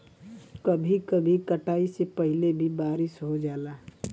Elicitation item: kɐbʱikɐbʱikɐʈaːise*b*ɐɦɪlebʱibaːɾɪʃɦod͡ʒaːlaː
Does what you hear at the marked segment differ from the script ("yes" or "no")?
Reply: yes